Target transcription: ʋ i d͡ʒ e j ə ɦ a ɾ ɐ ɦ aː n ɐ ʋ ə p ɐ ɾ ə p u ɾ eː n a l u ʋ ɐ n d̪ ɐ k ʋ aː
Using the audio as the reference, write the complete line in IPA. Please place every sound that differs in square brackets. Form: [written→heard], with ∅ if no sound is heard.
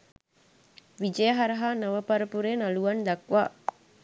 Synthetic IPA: ʋ i d͡ʒ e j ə ɦ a ɾ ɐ ɦ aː n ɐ ʋ ə p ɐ ɾ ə p u ɾ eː n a l u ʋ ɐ n d̪ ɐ k ʋ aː